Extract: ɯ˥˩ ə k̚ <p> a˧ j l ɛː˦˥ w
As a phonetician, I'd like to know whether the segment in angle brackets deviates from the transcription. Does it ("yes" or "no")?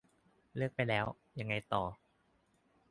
no